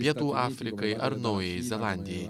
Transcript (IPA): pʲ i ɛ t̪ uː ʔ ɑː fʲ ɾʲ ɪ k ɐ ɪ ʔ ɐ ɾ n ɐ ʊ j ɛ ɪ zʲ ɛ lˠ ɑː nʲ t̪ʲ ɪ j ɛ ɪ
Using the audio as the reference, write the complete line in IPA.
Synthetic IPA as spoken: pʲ i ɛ t̪ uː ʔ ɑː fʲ ɾʲ ɪ k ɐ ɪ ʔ ɐ ɾ n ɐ ʊ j ɛ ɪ zʲ ɛ lˠ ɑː nʲ d̪ʲ ɪ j ɛ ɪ